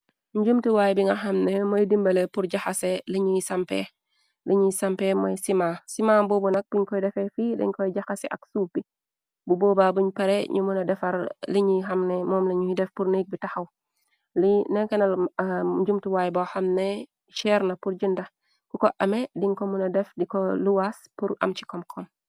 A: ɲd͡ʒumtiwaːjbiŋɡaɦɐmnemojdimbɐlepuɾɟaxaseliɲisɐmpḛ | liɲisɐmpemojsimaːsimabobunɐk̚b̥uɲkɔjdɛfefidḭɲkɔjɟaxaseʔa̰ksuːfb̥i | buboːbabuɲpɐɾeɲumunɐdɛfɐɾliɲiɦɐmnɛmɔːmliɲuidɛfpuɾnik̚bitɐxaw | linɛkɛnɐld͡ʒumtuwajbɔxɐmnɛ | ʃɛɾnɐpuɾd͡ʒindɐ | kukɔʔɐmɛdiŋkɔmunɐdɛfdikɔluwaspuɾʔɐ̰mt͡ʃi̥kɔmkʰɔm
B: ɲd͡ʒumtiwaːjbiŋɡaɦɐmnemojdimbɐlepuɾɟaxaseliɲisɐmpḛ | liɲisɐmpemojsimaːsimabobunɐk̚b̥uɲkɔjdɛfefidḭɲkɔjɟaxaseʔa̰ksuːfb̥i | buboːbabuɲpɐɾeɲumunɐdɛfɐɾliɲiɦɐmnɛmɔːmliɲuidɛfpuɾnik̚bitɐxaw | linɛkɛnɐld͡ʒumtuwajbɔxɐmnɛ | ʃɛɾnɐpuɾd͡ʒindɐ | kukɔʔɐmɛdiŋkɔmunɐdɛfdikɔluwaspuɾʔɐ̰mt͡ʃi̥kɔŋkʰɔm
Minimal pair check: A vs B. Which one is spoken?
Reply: A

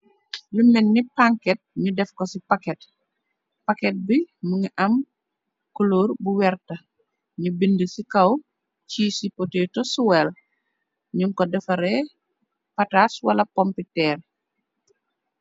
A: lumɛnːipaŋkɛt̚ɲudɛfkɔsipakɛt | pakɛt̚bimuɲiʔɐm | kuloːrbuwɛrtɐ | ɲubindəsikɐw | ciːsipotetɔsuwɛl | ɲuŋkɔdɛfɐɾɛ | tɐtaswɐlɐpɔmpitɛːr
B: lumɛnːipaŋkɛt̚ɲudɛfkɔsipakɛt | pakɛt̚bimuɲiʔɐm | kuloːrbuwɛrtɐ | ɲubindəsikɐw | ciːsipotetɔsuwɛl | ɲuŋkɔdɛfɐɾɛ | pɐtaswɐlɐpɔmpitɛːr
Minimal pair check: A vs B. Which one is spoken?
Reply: B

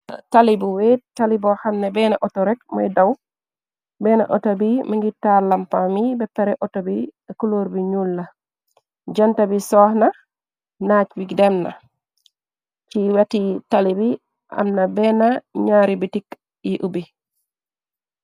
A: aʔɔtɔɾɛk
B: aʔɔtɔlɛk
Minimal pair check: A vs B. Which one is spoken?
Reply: A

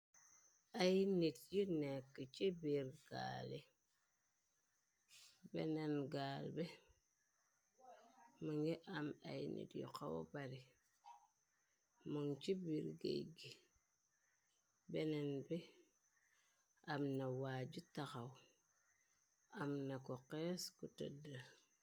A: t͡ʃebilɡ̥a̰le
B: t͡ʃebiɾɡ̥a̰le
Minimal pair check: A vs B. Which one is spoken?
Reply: B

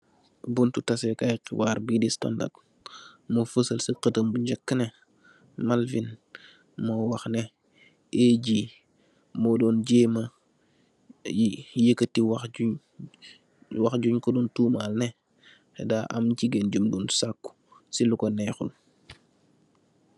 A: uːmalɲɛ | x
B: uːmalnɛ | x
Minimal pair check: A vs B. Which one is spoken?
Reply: B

